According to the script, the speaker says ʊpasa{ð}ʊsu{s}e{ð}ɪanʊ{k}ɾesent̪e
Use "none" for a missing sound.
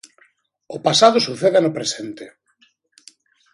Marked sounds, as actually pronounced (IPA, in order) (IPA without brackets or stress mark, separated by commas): ð, θ, ð, p